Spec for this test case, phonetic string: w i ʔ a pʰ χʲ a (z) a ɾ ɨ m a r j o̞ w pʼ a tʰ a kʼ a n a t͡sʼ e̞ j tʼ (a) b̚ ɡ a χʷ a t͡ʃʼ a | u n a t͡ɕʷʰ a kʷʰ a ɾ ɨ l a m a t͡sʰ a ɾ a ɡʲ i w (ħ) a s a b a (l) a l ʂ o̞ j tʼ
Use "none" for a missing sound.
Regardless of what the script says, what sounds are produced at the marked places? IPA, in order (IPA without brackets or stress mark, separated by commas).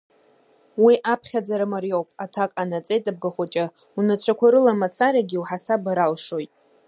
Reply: d͡z, a, ħ, ɾ